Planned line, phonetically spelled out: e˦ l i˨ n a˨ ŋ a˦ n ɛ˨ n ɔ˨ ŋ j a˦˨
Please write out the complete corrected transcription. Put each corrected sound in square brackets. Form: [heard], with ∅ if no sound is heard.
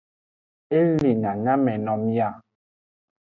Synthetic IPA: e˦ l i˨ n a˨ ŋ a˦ [m] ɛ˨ n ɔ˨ [m] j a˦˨

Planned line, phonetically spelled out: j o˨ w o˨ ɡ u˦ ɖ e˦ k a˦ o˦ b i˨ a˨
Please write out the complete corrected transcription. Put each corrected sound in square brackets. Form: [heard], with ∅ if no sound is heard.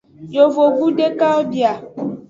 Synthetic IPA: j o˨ [v] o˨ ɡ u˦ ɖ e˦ k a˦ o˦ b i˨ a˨

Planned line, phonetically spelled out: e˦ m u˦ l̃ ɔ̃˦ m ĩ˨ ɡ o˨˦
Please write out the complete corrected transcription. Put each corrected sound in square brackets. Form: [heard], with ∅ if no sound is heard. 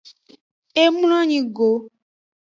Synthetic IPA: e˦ m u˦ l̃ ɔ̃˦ [ɲ] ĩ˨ ɡ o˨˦

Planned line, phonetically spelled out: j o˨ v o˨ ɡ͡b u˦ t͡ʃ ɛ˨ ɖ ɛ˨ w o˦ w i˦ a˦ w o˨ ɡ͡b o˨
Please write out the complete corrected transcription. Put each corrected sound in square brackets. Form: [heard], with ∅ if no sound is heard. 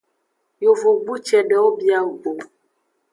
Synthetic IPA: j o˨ v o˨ ɡ͡b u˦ t͡ʃ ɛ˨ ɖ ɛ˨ w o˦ [b] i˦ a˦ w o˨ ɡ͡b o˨

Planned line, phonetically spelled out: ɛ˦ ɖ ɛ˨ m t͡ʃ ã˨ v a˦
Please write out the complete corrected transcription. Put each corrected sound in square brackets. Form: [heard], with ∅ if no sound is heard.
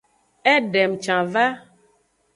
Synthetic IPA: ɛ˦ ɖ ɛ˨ m t͡ʃ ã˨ v a˦

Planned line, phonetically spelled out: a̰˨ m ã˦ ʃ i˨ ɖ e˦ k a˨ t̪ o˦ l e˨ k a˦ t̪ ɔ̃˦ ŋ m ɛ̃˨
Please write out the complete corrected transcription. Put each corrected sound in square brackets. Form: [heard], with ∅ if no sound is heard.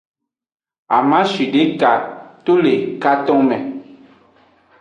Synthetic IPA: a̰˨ m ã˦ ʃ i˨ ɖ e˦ k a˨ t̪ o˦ l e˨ k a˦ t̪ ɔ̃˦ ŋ m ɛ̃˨

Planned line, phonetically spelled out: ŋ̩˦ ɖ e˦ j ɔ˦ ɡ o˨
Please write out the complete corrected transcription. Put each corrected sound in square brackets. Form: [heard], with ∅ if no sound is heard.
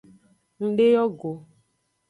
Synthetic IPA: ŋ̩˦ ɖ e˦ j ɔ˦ ɡ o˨

